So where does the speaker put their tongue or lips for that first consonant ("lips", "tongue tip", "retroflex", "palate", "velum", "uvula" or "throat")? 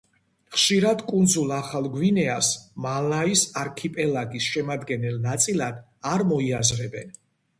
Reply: uvula